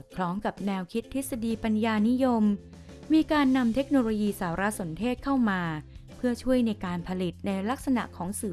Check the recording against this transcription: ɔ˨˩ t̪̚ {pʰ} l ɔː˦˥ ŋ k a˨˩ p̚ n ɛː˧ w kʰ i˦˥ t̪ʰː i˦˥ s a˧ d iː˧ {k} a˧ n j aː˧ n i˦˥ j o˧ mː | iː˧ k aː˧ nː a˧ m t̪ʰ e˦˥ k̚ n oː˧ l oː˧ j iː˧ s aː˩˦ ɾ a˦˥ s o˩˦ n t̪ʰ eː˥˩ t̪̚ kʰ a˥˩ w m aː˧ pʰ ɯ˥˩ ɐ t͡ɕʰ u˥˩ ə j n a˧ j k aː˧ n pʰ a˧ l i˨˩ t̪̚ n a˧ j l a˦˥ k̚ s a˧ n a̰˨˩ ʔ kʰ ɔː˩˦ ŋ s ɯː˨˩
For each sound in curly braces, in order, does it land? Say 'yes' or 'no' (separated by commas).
no, no